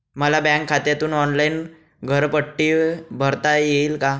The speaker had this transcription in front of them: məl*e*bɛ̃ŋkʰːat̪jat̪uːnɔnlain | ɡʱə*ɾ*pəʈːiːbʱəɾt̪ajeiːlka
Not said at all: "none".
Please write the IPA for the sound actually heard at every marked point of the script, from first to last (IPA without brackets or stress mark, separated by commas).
a, ɾ